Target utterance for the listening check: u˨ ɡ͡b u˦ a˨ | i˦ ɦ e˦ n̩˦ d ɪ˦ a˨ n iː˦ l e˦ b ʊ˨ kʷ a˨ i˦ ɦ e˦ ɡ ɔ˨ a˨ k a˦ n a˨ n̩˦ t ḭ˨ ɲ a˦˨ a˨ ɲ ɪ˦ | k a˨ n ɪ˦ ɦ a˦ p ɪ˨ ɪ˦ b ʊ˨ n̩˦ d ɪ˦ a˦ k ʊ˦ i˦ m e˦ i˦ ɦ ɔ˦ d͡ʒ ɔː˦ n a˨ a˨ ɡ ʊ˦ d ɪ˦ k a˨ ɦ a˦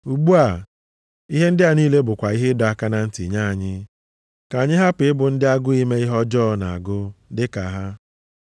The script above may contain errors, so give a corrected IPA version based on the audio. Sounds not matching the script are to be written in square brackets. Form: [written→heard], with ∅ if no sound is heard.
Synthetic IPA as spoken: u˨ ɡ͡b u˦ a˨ | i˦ ɦ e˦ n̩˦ d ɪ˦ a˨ n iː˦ l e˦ b ʊ˨ kʷ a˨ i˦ ɦ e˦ [ɡ→d] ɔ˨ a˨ k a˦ n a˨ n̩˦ t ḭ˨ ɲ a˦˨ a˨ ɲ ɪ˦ | k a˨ [n→ɲ] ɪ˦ ɦ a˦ p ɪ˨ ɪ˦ b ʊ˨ n̩˦ d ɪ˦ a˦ [k→ɡ] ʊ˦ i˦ m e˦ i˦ ɦ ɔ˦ d͡ʒ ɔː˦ n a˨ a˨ ɡ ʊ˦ d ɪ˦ k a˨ ɦ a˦